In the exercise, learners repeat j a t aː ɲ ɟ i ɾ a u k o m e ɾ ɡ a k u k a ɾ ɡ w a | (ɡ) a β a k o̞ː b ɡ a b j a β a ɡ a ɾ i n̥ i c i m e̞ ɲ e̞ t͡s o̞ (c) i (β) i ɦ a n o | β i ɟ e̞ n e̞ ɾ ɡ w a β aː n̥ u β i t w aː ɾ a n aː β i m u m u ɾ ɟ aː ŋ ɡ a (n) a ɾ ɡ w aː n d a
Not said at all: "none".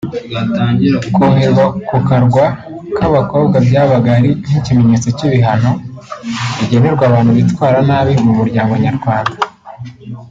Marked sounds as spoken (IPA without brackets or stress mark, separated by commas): k, c, β, ɲ